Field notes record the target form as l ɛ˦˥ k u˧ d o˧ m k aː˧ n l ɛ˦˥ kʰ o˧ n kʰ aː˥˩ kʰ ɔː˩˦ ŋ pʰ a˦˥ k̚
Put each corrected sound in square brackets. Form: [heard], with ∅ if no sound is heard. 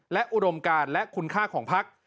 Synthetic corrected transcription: l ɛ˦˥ [ʔ] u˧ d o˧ m k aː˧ n l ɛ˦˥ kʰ [u˧] n kʰ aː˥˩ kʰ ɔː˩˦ ŋ pʰ a˦˥ k̚